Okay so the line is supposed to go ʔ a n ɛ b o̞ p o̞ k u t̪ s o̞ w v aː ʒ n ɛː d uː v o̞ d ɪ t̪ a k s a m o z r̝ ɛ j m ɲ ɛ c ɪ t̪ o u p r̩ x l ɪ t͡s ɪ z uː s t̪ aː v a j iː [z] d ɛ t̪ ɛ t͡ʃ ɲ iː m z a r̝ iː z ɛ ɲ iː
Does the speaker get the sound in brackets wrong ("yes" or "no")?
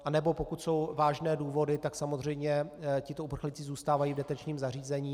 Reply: yes